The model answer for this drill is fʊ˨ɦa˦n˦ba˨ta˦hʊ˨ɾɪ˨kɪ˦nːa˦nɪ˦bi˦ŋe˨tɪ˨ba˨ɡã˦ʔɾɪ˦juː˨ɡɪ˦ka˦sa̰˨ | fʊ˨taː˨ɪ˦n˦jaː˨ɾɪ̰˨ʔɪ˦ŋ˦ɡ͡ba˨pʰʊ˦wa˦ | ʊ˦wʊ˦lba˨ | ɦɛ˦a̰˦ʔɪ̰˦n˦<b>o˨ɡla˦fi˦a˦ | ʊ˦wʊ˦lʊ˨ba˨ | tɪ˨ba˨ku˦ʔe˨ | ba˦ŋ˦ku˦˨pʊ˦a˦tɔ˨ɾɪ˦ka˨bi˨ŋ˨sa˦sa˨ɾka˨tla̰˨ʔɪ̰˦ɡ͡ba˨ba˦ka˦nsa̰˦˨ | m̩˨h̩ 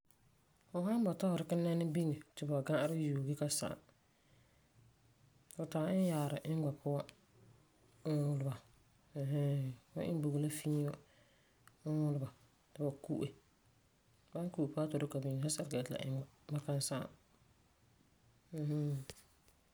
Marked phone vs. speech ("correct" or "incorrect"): correct